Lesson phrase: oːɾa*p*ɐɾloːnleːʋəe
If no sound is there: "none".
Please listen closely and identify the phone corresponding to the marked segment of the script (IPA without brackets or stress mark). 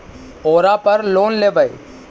p